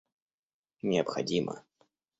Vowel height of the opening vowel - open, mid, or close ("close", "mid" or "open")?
close